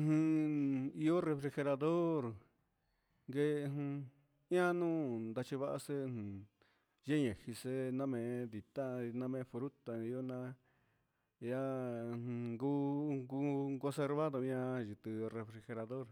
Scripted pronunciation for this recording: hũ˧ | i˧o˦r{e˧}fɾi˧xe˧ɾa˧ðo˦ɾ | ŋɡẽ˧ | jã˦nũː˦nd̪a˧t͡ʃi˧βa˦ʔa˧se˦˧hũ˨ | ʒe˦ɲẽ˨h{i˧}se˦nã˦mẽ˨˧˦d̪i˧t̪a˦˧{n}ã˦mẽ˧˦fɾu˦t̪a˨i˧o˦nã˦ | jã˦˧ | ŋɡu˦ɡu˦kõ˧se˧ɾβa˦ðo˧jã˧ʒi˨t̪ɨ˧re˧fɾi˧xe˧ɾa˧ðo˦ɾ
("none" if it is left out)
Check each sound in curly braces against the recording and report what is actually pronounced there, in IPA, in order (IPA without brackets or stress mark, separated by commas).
e˧, i˧, n